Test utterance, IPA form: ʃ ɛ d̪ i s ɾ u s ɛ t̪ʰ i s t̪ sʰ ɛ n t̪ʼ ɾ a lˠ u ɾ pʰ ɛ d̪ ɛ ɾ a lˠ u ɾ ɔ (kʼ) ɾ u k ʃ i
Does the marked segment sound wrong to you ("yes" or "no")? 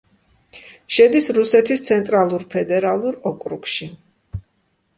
no